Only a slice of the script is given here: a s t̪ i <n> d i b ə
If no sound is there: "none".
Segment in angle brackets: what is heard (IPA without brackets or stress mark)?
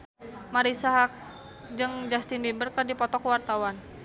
n